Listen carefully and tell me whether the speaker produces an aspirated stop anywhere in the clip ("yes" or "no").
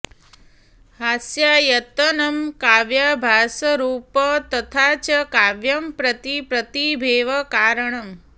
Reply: yes